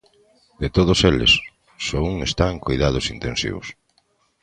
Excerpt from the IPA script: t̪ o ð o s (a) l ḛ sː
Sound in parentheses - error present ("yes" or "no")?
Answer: yes